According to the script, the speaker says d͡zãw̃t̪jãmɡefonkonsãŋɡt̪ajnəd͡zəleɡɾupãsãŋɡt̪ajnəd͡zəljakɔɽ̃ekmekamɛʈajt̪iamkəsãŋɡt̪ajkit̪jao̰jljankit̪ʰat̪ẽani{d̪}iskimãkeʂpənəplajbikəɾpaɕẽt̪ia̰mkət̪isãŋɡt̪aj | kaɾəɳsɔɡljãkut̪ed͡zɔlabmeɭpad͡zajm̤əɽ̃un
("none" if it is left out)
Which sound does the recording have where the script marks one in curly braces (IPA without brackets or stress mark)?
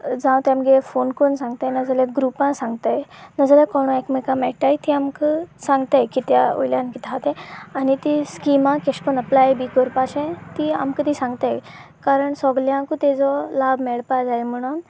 t̪